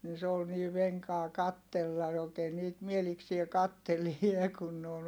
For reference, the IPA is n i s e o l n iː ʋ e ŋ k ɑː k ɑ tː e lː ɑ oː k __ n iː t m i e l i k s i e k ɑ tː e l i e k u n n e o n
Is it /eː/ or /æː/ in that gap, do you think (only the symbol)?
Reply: eː